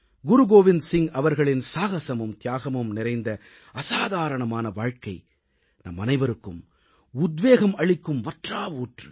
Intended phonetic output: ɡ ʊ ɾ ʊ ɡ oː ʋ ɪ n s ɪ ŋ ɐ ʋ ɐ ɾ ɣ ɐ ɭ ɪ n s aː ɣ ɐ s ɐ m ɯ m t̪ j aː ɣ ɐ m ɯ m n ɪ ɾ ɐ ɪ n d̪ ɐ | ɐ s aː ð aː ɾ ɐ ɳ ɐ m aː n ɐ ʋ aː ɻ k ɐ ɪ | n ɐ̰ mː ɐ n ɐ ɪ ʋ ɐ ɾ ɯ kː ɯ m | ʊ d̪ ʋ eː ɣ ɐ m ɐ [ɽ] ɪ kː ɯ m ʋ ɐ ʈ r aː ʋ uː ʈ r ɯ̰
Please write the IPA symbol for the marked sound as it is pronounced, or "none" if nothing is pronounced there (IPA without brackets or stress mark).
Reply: ɭ